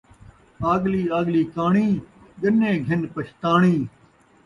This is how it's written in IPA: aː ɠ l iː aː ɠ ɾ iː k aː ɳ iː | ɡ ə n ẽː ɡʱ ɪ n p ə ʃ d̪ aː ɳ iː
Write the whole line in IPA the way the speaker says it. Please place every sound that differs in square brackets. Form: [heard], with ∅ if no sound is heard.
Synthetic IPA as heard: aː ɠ l iː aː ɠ [l] iː k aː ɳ iː | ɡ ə n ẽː ɡʱ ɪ n p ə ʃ [t̪] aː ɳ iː